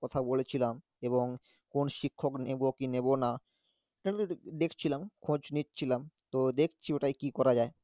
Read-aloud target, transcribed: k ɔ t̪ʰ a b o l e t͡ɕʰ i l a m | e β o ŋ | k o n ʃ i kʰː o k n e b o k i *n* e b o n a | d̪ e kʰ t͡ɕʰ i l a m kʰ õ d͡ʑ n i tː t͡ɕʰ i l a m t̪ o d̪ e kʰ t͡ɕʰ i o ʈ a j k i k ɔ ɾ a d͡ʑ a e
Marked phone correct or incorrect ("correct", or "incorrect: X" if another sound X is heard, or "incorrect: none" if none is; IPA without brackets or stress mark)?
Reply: correct